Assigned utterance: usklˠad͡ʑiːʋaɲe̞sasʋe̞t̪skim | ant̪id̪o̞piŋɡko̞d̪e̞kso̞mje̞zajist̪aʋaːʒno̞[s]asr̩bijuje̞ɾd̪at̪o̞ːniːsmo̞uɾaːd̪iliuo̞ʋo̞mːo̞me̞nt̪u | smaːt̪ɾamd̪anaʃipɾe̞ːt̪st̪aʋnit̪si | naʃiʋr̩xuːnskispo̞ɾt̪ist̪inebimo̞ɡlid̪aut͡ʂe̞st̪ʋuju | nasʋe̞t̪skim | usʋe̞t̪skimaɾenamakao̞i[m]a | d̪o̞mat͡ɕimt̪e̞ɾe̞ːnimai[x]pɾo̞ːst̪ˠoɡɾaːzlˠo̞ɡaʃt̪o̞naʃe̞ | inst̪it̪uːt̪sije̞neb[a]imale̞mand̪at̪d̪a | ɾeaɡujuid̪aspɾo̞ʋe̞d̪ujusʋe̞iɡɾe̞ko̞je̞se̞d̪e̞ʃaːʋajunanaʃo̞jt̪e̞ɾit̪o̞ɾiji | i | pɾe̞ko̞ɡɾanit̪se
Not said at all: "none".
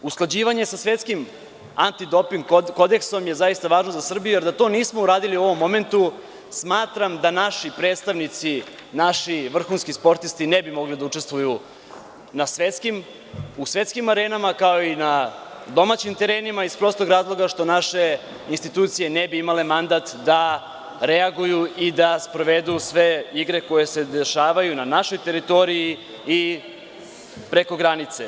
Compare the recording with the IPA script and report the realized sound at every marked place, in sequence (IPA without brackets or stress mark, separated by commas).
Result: z, n, s, i